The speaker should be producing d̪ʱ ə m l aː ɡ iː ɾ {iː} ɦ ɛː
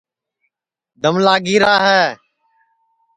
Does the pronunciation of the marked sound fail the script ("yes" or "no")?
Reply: yes